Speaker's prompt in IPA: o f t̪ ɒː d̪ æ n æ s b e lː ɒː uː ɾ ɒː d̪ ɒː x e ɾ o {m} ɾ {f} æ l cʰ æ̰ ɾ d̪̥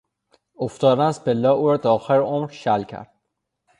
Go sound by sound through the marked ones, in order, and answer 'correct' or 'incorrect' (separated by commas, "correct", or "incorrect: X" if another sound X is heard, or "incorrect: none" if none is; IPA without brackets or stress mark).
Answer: correct, incorrect: ʃ